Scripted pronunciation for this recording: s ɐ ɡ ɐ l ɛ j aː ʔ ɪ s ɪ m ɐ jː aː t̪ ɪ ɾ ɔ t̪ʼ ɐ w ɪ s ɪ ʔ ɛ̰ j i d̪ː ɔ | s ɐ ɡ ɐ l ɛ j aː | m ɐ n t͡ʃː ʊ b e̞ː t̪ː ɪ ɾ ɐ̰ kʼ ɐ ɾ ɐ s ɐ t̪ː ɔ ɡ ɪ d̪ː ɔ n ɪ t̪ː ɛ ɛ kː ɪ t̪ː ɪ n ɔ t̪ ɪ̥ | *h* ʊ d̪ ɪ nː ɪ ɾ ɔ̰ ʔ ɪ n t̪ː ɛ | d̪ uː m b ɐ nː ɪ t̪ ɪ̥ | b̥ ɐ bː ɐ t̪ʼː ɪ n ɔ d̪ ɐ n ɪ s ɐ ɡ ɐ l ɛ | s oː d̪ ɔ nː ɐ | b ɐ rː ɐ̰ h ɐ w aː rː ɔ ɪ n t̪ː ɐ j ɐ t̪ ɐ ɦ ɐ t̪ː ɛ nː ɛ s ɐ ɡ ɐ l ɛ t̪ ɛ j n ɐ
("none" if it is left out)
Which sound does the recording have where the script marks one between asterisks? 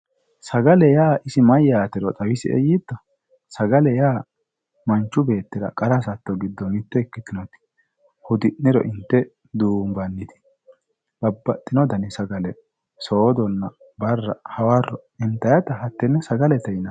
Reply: h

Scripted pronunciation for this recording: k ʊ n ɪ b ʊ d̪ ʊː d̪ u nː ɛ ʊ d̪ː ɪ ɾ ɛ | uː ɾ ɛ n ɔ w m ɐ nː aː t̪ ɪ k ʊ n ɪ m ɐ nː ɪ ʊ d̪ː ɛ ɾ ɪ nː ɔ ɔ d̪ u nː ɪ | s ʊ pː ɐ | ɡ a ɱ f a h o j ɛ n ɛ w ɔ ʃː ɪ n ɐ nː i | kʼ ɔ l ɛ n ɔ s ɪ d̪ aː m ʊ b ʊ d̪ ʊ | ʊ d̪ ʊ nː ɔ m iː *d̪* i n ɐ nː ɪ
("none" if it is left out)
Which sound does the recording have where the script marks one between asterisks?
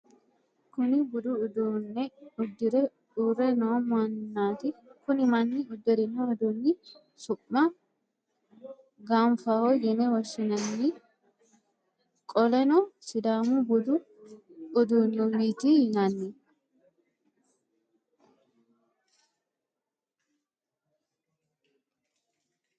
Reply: t̪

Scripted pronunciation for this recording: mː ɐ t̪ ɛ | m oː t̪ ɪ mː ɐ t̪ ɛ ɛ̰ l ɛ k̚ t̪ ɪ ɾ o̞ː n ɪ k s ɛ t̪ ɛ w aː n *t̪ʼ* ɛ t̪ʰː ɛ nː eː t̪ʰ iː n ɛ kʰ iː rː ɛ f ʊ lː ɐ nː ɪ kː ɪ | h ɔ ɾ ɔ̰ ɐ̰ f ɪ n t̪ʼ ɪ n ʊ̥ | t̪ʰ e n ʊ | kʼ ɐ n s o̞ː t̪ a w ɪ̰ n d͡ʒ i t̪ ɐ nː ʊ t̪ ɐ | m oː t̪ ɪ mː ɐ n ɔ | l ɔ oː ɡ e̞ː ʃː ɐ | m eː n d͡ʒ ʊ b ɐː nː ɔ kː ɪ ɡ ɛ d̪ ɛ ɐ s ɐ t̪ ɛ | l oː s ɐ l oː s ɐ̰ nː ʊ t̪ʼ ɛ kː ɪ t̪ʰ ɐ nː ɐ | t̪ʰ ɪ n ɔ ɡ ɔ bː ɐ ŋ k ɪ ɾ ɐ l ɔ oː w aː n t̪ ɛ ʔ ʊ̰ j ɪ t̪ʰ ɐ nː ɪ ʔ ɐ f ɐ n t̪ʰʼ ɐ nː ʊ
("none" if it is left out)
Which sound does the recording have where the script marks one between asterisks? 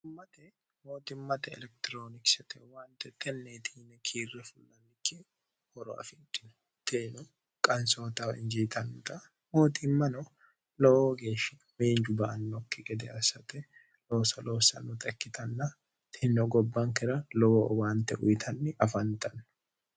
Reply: t̪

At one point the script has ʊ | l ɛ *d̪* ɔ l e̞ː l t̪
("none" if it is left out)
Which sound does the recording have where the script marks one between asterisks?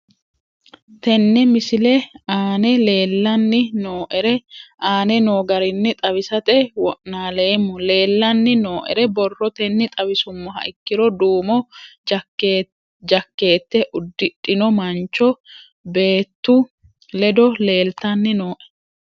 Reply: d̪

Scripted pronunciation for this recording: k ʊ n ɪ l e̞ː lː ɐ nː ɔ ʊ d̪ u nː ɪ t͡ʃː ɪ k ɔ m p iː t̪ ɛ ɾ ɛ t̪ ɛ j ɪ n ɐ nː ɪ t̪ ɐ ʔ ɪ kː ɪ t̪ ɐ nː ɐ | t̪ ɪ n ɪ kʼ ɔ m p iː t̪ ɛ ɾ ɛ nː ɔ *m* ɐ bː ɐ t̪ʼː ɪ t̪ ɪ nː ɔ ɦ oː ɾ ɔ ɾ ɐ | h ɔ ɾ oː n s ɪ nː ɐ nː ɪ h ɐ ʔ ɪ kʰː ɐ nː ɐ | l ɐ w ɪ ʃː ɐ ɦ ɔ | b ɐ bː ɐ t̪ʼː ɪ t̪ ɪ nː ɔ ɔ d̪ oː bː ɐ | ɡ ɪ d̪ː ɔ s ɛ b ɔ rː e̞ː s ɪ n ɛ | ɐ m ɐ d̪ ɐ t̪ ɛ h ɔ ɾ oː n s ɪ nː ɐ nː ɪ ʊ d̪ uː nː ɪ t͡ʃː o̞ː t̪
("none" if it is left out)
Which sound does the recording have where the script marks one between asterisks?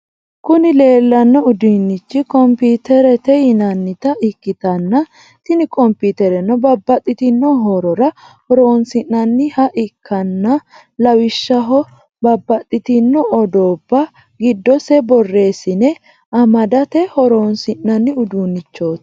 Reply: b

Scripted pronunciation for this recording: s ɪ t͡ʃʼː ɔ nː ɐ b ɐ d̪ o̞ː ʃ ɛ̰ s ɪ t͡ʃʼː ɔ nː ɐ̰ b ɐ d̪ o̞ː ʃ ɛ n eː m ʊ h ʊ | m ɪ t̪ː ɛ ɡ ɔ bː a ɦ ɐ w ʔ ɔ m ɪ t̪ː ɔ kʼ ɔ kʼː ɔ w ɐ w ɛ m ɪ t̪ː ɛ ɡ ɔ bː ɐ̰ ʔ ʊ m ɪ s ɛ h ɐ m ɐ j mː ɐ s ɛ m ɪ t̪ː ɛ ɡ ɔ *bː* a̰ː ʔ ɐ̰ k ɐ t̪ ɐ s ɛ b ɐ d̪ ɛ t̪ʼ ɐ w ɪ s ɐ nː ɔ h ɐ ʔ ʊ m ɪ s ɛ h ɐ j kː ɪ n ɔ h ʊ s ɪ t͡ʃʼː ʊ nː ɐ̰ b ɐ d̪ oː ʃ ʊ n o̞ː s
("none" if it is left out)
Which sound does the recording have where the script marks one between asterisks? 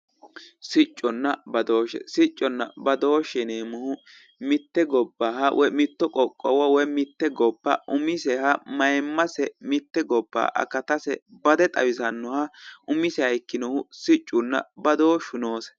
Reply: bː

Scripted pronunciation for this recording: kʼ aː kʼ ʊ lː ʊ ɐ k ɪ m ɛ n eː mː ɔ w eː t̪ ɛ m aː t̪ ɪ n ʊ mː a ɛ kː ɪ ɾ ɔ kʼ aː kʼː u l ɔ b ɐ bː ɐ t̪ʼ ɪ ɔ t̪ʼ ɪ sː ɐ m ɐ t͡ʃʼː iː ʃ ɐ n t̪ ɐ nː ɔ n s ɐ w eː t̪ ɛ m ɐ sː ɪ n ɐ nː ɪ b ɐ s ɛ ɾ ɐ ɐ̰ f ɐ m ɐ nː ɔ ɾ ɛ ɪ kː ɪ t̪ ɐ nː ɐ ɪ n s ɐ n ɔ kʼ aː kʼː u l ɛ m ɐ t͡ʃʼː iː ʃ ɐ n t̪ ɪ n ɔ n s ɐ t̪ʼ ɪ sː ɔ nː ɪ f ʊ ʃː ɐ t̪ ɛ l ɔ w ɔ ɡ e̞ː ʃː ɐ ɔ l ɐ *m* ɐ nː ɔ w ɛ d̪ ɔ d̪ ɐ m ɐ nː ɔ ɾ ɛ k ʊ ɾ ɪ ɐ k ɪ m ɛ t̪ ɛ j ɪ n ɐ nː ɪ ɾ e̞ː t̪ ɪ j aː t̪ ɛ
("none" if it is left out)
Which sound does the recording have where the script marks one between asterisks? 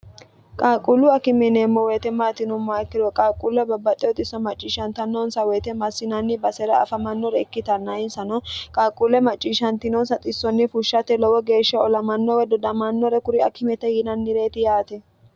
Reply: m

